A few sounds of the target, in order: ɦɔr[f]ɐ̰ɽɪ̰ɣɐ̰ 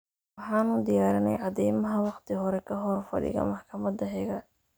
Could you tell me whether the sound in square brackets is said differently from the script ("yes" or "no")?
no